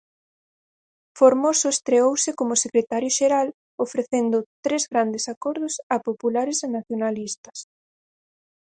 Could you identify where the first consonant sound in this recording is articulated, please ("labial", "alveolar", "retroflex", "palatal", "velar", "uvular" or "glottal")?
labial